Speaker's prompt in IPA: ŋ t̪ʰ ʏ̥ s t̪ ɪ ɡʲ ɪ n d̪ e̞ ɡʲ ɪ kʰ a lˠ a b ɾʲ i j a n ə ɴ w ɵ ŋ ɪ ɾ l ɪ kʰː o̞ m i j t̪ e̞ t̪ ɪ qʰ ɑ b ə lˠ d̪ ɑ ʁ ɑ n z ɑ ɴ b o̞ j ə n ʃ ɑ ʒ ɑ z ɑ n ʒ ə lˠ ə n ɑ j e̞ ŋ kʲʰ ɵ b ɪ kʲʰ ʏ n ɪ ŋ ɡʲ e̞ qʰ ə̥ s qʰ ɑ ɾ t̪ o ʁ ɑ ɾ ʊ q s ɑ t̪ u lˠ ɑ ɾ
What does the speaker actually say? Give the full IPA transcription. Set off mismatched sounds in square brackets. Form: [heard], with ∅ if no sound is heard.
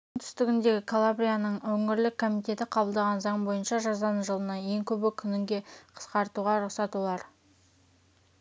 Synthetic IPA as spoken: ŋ t̪ʰ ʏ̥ s t̪ ɪ ɡʲ ɪ n d̪ e̞ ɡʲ ɪ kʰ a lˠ a b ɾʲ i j a n ə ɴ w ɵ ŋ ɪ ɾ l ɪ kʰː o̞ m i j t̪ e̞ t̪ ɪ qʰ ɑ b ə lˠ d̪ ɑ ʁ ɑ n z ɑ ɴ b o̞ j ə n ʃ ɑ ʒ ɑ z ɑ n ʒ ə lˠ ə n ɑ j e̞ ŋ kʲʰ ɵ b ɪ kʲʰ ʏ n ɪ ŋ ɡʲ e̞ qʰ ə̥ s [q] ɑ ɾ t̪ [u] ʁ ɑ ɾ ʊ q s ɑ t̪ u lˠ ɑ ɾ

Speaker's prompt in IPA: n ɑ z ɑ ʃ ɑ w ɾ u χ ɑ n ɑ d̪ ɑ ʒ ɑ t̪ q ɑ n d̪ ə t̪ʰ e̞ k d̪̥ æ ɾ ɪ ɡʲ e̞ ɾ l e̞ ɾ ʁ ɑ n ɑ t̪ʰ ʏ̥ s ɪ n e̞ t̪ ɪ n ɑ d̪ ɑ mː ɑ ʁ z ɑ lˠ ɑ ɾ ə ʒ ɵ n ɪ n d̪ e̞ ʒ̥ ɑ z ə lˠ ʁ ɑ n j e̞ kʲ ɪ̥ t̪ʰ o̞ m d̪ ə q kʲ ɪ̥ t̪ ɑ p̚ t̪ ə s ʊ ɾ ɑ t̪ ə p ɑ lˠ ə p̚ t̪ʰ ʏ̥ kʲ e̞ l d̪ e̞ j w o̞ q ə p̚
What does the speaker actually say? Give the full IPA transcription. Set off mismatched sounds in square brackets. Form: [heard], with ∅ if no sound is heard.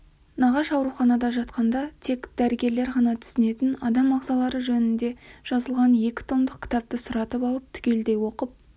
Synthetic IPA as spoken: n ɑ [ʁ] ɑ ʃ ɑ w ɾ u χ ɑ n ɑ d̪ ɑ ʒ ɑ t̪ q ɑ n d̪ [ɑ] t̪ʰ e̞ k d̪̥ æ ɾ ɪ ɡʲ e̞ ɾ l e̞ ɾ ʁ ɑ n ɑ t̪ʰ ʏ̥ s ɪ n e̞ t̪ ɪ n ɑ d̪ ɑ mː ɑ ʁ z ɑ lˠ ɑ ɾ ə ʒ ɵ n ɪ n d̪ e̞ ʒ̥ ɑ z ə lˠ ʁ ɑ n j e̞ kʲ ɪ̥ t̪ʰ o̞ m d̪ ə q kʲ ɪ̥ t̪ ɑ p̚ t̪ ə s ʊ ɾ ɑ t̪ ə p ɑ lˠ ə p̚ t̪ʰ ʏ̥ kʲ e̞ l d̪ e̞ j w o̞ q ə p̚

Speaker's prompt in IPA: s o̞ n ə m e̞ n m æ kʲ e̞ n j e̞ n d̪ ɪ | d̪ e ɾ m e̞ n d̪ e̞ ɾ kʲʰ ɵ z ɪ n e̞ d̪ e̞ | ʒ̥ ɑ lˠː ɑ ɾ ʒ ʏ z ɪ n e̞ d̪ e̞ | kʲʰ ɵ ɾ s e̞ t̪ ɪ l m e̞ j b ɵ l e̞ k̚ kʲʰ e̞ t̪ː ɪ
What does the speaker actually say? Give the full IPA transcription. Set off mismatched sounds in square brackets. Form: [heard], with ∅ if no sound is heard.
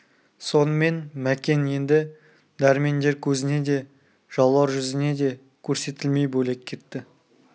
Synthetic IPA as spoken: s o̞ n ə m e̞ n m æ kʲ e̞ n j e̞ n d̪ ɪ | d̪ [æ] ɾ m e̞ n d̪ e̞ ɾ kʲʰ ɵ z ɪ n e̞ d̪ e̞ | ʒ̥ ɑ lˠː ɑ ɾ ʒ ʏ z ɪ n e̞ d̪ e̞ | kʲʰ ɵ ɾ s e̞ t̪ ɪ l m e̞ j b ɵ l e̞ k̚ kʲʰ e̞ t̪ː ɪ

